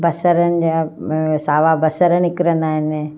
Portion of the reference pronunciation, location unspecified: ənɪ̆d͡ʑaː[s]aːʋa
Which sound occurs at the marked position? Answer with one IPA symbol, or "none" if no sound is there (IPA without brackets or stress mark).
s